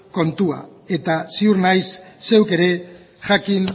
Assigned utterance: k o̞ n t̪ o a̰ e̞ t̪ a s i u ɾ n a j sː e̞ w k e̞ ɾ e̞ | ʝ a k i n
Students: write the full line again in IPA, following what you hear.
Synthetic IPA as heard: k o̞ n t̪ u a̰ e̞ t̪ a s i u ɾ n a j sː e̞ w k e̞ ɾ e̞ | ʝ a k i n